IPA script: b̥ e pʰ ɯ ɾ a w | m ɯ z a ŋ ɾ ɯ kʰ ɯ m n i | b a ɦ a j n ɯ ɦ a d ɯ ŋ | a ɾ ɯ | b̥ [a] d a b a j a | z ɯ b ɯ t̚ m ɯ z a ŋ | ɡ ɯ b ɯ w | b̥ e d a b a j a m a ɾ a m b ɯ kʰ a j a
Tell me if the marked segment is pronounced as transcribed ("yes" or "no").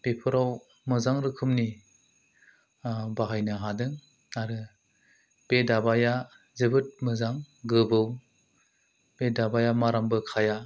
no